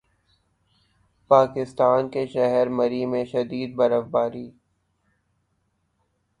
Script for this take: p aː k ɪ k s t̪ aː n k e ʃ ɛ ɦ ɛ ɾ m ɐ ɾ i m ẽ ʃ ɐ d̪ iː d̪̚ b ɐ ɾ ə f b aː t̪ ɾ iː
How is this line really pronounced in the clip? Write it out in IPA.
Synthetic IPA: p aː k ɪ s t̪ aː n k e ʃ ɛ ɦ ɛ ɾ m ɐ ɾ i m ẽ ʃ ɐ d̪ iː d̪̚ b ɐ ɾ ə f b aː ɾ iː